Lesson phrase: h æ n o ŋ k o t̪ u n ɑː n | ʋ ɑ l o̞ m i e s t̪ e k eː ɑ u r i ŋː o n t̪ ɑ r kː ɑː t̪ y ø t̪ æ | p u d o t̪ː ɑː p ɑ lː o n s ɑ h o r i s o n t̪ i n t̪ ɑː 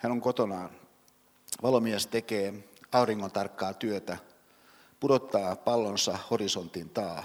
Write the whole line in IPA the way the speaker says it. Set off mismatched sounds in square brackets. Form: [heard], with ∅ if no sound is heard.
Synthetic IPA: h æ n o ŋ k o t̪ [o] n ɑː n | ʋ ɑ l o̞ m i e s t̪ e k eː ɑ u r i ŋː o n t̪ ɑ r kː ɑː t̪ y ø t̪ æ | p u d o t̪ː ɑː p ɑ lː o n s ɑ h o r i s o n t̪ i n t̪ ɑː